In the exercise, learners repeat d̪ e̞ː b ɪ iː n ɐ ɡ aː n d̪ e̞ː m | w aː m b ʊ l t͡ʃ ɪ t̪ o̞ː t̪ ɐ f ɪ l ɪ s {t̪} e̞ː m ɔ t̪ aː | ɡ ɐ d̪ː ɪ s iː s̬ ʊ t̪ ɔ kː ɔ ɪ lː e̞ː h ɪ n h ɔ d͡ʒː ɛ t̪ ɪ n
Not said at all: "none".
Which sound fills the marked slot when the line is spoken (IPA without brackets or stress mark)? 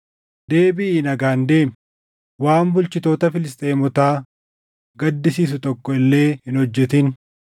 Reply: t̪ʼ